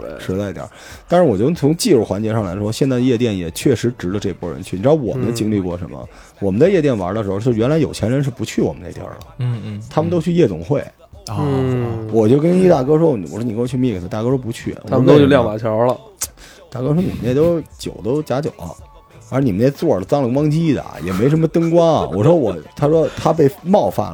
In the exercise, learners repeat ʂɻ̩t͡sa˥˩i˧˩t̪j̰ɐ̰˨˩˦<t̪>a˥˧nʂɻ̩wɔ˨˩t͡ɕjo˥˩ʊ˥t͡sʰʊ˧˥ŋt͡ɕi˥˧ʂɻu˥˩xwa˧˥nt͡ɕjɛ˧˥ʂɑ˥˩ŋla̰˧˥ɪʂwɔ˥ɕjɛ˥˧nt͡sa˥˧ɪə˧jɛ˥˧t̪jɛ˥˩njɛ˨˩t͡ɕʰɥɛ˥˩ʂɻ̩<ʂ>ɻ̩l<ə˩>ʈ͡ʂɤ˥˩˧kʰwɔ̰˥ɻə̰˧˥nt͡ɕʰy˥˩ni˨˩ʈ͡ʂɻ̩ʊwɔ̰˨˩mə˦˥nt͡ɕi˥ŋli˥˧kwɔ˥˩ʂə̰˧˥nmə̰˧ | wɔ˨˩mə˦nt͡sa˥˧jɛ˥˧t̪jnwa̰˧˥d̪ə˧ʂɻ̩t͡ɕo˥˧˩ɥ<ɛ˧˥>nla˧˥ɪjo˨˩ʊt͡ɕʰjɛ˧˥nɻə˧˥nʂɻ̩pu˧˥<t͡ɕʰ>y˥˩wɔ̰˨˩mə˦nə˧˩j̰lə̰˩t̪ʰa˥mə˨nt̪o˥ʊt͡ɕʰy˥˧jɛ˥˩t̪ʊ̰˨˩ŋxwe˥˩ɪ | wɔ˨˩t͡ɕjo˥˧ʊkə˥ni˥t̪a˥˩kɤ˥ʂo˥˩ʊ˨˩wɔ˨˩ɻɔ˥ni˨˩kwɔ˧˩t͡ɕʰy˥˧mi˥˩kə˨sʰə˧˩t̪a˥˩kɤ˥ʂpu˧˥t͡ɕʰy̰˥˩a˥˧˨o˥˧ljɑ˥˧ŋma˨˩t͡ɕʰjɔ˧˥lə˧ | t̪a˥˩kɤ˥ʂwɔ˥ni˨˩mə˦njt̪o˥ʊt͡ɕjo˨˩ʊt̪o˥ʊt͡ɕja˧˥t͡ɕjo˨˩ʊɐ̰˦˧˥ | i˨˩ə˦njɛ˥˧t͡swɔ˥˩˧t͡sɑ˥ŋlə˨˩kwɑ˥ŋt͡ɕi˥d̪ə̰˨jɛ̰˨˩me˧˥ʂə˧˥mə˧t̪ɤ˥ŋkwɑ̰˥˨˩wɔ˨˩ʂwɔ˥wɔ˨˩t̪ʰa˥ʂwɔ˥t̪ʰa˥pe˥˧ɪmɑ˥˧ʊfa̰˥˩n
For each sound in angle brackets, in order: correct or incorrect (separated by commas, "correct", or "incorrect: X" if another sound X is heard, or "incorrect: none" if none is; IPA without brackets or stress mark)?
correct, incorrect: ʈ͡ʂ, incorrect: ə˧, correct, correct